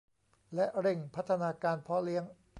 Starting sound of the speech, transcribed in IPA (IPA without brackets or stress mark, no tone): l